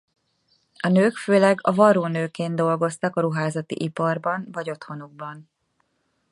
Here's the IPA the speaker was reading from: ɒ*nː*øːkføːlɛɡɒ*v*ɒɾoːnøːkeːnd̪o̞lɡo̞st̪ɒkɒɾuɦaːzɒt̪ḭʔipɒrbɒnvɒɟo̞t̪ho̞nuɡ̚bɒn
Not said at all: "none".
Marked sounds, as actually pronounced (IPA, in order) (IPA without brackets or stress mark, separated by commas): n, v